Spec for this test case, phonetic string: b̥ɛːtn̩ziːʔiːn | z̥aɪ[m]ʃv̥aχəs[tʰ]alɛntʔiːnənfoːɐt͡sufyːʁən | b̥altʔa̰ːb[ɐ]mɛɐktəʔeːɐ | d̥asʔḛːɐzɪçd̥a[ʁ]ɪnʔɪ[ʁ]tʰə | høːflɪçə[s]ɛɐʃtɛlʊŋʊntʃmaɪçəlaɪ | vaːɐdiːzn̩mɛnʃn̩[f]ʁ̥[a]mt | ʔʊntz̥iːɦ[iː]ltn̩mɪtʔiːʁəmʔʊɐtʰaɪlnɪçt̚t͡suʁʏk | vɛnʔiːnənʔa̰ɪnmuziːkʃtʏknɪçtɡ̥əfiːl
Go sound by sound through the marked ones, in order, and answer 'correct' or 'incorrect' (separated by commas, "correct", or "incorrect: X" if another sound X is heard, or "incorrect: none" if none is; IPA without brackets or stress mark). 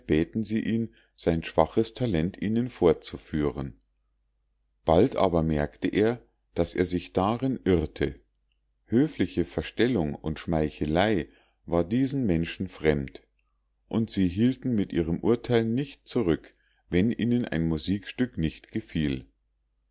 incorrect: n, correct, correct, correct, correct, incorrect: f, correct, incorrect: ɛ, correct